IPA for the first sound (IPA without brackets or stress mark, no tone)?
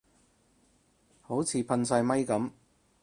h